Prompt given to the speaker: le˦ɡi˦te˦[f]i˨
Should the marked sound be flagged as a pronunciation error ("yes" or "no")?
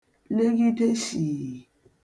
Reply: yes